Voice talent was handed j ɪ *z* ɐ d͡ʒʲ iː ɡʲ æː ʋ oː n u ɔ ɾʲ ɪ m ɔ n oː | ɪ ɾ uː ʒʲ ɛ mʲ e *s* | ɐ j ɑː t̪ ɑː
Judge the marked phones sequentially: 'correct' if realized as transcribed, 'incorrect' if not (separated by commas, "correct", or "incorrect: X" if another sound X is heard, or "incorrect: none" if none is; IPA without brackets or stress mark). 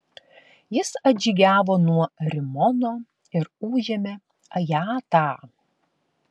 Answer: incorrect: s, incorrect: none